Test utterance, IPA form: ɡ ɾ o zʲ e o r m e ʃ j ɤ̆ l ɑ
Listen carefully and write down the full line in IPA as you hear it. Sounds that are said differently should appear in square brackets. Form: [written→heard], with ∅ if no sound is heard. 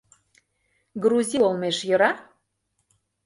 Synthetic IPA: ɡ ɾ [o→u] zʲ [e→i] o [r→l] m e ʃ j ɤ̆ [l→ɾ] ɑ